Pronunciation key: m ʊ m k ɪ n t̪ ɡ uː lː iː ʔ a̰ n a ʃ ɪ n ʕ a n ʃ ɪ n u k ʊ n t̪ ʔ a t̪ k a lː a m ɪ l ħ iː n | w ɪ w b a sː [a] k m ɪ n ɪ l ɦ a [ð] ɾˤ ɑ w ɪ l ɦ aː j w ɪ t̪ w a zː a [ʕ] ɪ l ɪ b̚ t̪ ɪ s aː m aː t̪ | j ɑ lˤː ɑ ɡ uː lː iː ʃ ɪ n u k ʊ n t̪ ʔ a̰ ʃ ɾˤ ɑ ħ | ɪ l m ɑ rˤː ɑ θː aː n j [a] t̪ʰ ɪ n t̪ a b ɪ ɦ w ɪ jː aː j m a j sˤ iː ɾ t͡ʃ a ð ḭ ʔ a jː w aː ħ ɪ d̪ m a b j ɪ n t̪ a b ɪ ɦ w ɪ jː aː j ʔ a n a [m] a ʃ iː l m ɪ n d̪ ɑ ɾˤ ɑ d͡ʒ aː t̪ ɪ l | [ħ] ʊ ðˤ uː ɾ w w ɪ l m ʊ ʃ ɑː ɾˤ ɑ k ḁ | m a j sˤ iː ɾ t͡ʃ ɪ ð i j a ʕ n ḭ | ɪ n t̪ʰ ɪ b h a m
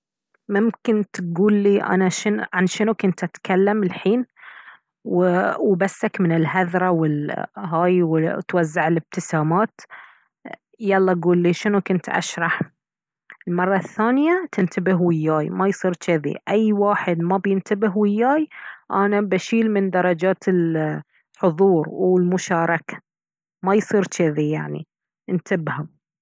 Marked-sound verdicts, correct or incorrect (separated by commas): correct, correct, correct, correct, incorrect, correct